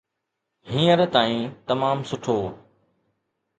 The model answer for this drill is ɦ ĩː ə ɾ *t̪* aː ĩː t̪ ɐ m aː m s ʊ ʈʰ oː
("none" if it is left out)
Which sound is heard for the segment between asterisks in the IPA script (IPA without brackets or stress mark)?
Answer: t̪